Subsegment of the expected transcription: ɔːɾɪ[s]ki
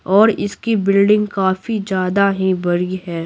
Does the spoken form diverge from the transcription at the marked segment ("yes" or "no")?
no